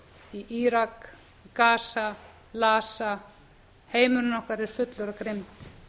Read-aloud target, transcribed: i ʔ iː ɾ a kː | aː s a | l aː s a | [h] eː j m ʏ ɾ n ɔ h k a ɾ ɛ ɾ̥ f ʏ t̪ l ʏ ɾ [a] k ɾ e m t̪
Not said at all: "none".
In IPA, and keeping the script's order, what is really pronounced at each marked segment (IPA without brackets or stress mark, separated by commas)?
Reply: h, a